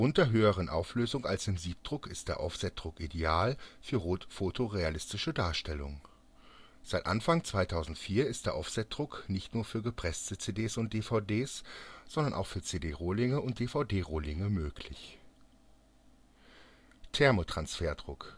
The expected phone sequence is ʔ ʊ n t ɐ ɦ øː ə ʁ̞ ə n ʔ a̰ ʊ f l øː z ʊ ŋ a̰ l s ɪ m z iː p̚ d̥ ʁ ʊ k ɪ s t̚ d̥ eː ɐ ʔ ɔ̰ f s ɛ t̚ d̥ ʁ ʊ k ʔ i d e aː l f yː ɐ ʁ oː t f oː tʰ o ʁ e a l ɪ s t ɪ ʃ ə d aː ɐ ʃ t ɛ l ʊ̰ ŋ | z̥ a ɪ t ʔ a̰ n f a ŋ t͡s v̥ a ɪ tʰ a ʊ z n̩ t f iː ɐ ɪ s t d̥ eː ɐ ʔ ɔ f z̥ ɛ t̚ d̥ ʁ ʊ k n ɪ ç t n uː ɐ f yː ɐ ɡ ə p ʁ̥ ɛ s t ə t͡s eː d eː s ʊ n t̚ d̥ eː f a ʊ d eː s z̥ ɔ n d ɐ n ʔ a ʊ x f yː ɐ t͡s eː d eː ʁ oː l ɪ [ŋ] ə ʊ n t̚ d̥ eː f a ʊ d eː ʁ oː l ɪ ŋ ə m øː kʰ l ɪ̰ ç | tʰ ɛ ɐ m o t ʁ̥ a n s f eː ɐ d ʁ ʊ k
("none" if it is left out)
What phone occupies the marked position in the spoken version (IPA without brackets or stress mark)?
ŋ